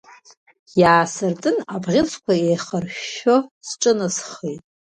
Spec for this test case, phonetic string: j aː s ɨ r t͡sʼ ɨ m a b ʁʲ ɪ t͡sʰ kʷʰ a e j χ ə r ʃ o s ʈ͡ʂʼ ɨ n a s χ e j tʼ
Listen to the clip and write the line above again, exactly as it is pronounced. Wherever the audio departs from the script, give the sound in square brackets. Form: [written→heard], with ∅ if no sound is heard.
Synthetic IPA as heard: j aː s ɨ r t͡sʼ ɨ [m→n] a b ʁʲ ɪ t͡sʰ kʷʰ a e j χ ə r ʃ o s ʈ͡ʂʼ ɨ n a s χ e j tʼ